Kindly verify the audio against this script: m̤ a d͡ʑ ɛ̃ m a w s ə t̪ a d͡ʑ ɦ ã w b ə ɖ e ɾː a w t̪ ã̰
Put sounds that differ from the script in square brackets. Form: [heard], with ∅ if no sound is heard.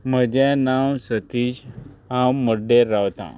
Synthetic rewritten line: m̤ [ə] d͡ʑ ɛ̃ [n] a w s ə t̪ [i] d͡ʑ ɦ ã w [m] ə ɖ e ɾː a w t̪ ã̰

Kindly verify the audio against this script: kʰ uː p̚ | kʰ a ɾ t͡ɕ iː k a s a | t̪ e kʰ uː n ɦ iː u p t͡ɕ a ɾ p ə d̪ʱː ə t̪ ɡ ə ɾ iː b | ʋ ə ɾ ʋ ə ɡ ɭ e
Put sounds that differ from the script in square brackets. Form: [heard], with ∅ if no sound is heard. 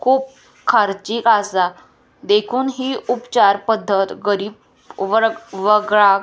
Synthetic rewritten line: kʰ uː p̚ | kʰ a ɾ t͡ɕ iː k a s a | [d̪] e kʰ uː n ɦ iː u p t͡ɕ a ɾ p ə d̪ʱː ə t̪ ɡ ə ɾ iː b | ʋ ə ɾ ʋ ə ɡ ɭ [a]

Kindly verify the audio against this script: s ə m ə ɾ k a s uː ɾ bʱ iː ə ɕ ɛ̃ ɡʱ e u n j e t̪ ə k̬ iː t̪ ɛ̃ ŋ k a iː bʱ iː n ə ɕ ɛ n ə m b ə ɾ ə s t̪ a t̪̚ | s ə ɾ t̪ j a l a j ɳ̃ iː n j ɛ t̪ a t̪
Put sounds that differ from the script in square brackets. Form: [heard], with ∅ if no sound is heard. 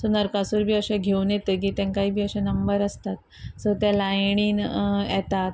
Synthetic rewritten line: s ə [n] ə ɾ k a s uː ɾ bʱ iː ə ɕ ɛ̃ ɡʱ e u n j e t̪ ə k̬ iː t̪ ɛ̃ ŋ k a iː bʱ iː [∅] ə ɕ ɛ n ə m b ə ɾ ə s t̪ a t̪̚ | s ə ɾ t̪ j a l a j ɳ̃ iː n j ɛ t̪ a t̪

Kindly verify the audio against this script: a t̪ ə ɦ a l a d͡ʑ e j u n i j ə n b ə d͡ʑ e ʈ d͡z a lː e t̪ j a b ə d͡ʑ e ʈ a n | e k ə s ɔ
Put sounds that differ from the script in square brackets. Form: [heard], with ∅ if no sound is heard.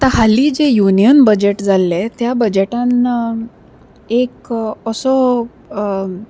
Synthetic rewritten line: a t̪ [a] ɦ a l [i] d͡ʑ e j u n i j ə n b ə d͡ʑ e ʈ d͡z a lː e t̪ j a b ə d͡ʑ e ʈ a n | e k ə s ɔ

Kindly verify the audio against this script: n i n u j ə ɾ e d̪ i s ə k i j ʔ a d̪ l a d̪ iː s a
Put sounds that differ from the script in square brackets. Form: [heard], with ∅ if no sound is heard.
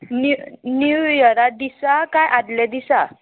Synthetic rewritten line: n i n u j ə ɾ [a] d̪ i s [a] k [a] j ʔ a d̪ l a d̪ [i] s a

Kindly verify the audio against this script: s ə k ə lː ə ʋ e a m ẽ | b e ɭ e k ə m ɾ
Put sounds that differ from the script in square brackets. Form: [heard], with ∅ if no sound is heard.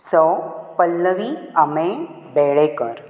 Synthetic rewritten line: s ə [p] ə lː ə ʋ [i] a m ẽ | b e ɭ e k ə [∅] ɾ

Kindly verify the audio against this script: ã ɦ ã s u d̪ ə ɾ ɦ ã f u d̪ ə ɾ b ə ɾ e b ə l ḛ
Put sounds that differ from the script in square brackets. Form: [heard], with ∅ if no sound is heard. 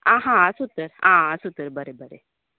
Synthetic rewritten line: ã ɦ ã s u [t̪] ə ɾ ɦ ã [s] u [t̪] ə ɾ b ə ɾ e b ə [ɾ] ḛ

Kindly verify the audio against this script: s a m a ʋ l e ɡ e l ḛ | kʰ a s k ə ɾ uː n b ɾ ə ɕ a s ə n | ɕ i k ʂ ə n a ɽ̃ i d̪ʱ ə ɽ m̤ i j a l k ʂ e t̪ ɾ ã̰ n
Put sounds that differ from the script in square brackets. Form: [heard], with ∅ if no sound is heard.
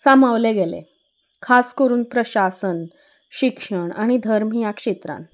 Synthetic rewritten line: s a m a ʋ l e ɡ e l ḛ | kʰ a s k ə ɾ uː n [p] ɾ ə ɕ a s ə n | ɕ i k ʂ ə [ɳ] a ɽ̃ i d̪ʱ ə [ɾ] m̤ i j a [∅] k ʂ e t̪ ɾ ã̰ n

